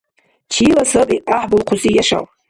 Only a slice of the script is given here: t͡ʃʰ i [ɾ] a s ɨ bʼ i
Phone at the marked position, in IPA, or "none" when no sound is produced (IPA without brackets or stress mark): l